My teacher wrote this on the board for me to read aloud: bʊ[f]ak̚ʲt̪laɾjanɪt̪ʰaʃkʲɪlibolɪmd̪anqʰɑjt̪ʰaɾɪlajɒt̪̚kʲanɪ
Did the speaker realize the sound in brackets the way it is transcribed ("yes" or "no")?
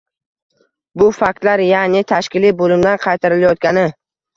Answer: yes